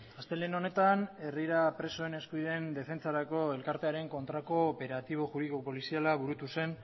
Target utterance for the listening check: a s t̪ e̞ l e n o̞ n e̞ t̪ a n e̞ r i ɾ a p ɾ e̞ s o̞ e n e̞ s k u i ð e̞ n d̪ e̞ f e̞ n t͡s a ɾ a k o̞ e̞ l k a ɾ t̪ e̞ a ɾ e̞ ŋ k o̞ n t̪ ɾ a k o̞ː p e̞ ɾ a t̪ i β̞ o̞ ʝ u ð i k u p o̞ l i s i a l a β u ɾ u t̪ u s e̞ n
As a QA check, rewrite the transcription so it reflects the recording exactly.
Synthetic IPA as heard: a s t̪ e̞ l e n o̞ n e̞ t̪ a n e̞ r i ɾ a p ɾ e̞ s o̞ e n e̞ s k u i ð e̞ n d̪ e̞ f e̞ n t͡s a ɾ a k o̞ e̞ l k a ɾ t̪ e̞ a ɾ e̞ ŋ k o̞ n t̪ ɾ a k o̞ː p e̞ ɾ a t̪ i β̞ o̞ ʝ u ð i k o p o̞ l i s i a l a β u ɾ u t̪ u s e̞ n